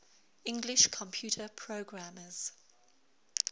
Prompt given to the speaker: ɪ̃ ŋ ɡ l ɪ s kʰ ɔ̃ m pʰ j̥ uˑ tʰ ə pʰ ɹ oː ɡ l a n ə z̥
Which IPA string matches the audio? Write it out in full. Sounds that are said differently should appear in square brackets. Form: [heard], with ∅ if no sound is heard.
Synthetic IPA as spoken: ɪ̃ ŋ ɡ l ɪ [ʃ] kʰ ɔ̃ m pʰ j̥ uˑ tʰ ə pʰ ɹ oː ɡ [ɹ] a [m] ə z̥